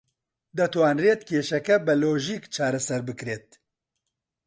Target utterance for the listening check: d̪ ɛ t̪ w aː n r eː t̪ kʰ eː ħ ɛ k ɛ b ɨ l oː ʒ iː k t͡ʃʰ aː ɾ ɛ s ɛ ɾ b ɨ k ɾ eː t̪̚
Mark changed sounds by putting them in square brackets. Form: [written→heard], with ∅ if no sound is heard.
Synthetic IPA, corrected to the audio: d̪ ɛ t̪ w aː n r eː t̪ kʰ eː [ħ→ʃ] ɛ k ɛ b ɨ l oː ʒ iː k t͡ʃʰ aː ɾ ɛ s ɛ ɾ b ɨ k ɾ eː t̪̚